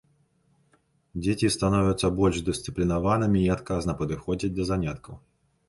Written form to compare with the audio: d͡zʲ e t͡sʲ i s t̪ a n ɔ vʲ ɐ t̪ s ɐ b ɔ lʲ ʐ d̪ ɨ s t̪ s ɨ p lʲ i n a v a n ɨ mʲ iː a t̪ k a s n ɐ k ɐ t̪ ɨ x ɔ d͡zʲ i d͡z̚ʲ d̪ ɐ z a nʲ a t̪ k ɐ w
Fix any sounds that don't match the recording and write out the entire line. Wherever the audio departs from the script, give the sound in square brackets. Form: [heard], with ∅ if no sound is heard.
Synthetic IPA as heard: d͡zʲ e t͡sʲ i s t̪ a n ɔ vʲ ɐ t̪ s ɐ b ɔ lʲ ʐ d̪ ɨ s t̪ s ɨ p lʲ i n a v a n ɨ mʲ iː a t̪ k a [z] n ɐ [p] ɐ [d̪] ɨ x ɔ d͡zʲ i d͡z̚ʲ d̪ ɐ z a nʲ a t̪ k ɐ w